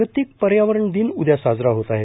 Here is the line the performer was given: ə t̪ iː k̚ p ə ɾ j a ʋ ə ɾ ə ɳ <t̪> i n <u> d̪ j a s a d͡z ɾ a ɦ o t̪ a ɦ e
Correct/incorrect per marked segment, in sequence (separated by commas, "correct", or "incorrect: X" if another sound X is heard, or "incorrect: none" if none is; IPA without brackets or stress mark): incorrect: d̪, correct